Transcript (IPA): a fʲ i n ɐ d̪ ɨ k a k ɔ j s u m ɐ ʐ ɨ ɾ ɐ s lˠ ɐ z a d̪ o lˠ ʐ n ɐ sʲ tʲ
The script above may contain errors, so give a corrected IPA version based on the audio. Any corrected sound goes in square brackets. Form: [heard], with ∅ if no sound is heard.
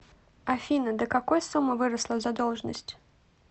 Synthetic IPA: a fʲ i n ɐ d̪ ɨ k a k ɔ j s u m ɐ [v] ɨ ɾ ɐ s lˠ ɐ z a d̪ [ɔ] lˠ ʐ n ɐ sʲ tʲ